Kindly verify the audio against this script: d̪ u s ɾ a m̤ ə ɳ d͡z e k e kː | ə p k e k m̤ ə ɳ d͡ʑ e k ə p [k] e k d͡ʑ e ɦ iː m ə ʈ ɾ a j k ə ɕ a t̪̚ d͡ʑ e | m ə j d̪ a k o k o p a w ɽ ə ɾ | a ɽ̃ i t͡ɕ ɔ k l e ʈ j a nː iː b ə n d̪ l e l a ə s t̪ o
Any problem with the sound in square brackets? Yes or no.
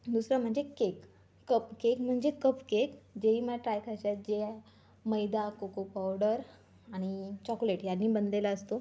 no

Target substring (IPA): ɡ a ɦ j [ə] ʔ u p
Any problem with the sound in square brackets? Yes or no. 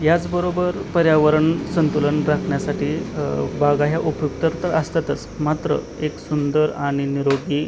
yes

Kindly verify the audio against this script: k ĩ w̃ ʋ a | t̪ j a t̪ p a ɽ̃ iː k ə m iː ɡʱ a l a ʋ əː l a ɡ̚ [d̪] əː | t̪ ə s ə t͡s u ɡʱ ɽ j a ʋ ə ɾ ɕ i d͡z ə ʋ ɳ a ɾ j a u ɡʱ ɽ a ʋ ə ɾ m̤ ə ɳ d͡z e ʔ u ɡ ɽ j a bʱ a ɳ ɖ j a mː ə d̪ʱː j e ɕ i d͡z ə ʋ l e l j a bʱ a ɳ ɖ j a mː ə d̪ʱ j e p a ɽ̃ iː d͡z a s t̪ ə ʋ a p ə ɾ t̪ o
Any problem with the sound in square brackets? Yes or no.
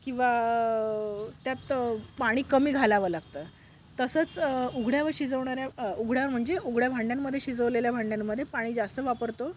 yes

